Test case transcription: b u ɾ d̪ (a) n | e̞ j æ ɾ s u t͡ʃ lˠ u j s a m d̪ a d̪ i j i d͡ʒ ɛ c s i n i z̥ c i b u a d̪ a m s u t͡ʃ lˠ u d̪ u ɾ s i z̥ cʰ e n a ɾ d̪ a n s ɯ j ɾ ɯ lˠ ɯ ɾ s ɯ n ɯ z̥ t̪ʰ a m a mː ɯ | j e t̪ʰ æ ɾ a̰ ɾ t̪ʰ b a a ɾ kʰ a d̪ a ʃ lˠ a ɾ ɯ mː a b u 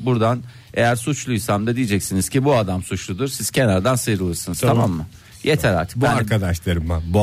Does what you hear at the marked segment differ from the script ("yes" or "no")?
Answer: no